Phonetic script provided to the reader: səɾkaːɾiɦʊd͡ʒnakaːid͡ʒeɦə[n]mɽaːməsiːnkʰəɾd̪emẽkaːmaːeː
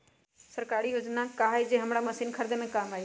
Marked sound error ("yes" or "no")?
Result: yes